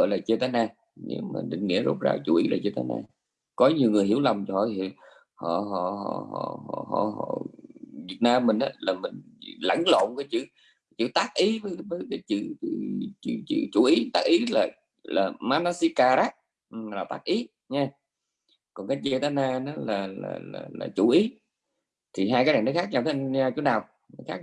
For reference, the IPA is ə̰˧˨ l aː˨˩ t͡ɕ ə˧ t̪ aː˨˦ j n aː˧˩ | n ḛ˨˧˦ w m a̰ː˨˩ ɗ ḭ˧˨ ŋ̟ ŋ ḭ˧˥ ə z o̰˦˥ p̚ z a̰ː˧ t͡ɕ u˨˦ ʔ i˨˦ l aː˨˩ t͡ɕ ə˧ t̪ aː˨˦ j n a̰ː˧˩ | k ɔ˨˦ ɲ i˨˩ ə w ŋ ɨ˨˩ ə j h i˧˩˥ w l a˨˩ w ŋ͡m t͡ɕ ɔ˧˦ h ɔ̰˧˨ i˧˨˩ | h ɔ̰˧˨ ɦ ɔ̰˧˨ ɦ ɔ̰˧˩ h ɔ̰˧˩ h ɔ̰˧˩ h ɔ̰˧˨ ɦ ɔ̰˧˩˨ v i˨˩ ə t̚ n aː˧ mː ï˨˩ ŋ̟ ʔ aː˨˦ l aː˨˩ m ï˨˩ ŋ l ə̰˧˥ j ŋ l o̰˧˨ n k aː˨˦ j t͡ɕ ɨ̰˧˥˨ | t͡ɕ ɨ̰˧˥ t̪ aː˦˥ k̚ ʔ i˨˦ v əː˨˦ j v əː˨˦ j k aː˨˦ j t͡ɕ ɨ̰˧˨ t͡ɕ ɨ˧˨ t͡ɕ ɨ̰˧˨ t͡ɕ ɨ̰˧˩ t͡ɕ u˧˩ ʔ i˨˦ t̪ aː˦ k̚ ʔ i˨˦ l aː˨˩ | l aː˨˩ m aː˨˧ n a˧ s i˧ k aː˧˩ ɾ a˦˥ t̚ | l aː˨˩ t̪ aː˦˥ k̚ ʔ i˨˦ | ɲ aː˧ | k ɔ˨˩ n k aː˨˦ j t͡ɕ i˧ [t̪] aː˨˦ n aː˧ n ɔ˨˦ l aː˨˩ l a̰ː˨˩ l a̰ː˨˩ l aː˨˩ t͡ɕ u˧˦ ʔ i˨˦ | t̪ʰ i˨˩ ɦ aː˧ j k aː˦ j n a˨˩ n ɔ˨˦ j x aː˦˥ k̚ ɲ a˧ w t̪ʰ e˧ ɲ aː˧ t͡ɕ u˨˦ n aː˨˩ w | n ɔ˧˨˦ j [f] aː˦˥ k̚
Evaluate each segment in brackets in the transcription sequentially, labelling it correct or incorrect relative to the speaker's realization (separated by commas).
correct, incorrect